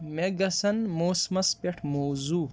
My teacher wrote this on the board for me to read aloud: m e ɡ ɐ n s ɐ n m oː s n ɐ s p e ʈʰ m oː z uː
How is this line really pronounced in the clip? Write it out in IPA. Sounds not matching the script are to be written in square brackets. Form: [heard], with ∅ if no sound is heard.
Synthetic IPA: m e ɡ ɐ [∅] s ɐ n m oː s [m] ɐ s p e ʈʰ m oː z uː